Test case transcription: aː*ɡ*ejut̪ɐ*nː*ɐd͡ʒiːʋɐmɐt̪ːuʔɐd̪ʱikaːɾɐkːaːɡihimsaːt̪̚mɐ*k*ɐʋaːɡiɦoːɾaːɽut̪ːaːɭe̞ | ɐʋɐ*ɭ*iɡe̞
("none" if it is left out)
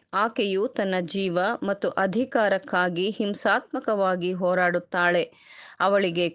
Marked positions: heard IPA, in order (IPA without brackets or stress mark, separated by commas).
k, nː, k, ɭ